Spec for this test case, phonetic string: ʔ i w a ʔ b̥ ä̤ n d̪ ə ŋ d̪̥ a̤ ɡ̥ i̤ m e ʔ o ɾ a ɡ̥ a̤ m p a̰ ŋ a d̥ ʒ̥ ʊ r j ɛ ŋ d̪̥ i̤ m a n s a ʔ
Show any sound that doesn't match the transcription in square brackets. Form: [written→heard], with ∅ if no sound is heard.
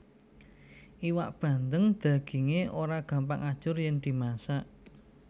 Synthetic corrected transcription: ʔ i w a ʔ b̥ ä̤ n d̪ ə ŋ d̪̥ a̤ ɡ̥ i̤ [m→ŋ] e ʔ o ɾ a ɡ̥ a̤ m p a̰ ŋ a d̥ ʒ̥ ʊ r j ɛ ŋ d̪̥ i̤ m a [n→∅] s a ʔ